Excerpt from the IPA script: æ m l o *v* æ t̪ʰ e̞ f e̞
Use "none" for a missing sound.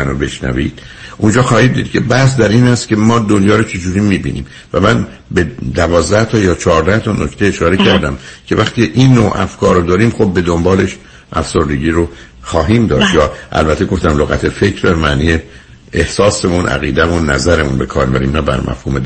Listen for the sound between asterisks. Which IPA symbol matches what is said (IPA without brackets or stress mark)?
ɣ